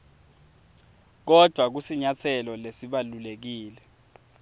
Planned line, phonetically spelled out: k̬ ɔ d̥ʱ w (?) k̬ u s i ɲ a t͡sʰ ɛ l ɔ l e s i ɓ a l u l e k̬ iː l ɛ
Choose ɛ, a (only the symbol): a